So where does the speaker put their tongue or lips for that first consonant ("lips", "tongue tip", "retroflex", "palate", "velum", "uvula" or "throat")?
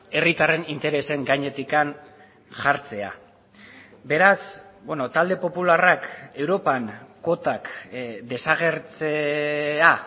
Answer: tongue tip